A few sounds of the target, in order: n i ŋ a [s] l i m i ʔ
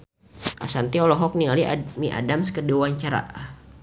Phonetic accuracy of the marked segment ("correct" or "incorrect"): incorrect